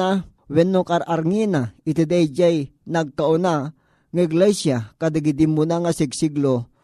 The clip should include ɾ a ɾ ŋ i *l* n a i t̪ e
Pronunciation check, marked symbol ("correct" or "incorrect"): incorrect